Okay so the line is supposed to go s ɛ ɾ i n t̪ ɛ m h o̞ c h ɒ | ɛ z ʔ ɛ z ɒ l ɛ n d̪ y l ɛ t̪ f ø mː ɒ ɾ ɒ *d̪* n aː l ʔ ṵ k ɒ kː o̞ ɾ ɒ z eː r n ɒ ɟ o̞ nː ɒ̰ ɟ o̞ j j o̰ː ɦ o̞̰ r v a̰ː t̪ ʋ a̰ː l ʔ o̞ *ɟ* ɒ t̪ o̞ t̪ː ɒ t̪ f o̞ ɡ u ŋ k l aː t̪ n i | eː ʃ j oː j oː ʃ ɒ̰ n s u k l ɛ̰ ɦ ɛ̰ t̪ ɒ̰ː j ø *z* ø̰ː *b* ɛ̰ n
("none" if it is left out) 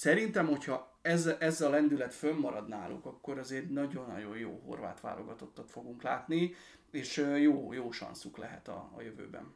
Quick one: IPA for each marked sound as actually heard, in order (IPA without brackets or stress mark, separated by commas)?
d̪, ɡ, v, b